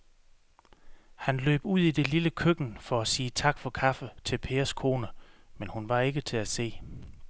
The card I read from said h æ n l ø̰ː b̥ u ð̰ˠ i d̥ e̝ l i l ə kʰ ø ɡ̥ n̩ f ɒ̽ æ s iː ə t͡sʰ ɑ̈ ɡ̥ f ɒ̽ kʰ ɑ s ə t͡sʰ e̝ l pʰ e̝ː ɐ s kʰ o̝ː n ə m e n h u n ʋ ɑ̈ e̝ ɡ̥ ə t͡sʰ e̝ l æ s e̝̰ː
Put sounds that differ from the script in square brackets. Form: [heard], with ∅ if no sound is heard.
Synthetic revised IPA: h æ n l ø̰ː b̥ u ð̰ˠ i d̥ e̝ l i l ə kʰ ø ɡ̥ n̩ f ɒ̽ æ s iː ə t͡sʰ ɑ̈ ɡ̥ f ɒ̽ kʰ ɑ [f] ə t͡sʰ e̝ l pʰ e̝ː ɐ s kʰ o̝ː n ə m e n h u n ʋ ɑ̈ e̝ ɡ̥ ə t͡sʰ e̝ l æ s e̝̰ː

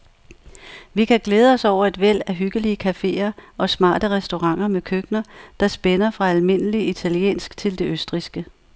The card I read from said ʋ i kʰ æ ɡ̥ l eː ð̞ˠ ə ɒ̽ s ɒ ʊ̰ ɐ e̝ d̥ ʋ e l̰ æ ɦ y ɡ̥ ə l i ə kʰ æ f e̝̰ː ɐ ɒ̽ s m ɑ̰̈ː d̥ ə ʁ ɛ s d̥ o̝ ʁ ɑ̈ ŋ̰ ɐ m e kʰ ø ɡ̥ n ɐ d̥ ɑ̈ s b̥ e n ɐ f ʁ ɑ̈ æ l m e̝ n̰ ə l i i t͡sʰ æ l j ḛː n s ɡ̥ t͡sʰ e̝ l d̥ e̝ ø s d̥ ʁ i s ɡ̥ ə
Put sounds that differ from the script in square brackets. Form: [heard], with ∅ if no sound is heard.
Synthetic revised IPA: ʋ i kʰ æ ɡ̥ l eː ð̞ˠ ə ɒ̽ s ɒ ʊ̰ ɐ e̝ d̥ ʋ e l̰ æ ɦ y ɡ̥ ə l i ə kʰ æ f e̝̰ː ɐ ɒ̽ s m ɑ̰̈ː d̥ ə ʁ ɛ s d̥ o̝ ʁ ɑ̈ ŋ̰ ɐ m e kʰ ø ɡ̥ n ɐ d̥ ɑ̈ s b̥ e n ɐ f ʁ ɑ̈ æ l m e̝ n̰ ə l i i t͡sʰ æ l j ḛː n s ɡ̥ t͡sʰ e̝ l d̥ e̝ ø s d̥ ʁ i s ɡ̥ ə

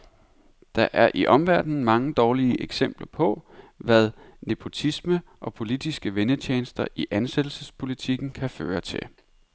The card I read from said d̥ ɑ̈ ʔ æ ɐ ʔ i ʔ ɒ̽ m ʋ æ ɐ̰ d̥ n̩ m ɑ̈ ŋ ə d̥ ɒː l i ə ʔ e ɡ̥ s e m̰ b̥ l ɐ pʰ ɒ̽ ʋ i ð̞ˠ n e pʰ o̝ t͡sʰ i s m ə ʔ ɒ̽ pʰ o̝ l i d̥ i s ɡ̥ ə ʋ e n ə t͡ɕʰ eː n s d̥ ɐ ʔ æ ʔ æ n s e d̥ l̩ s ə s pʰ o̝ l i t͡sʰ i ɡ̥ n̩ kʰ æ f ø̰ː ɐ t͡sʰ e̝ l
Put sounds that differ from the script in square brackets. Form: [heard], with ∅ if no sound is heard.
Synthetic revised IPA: d̥ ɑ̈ ʔ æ ɐ ʔ i ʔ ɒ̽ m ʋ æ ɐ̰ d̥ n̩ m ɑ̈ ŋ ə d̥ ɒː l i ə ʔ e ɡ̥ s e m̰ b̥ l ɐ pʰ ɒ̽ ʋ [æ] ð̞ˠ n e pʰ o̝ t͡sʰ i s m ə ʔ ɒ̽ pʰ o̝ l i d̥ i s ɡ̥ ə ʋ e n ə t͡ɕʰ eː n s d̥ ɐ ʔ [i] ʔ æ n s e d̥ l̩ s ə s pʰ o̝ l i t͡sʰ i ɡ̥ n̩ kʰ æ f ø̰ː ɐ t͡sʰ e̝ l

